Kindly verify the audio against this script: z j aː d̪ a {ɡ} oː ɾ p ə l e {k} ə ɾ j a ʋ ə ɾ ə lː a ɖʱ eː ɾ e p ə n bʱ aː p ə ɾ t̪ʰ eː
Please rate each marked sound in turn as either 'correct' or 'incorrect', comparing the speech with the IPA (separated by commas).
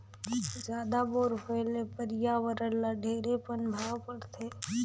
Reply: incorrect, incorrect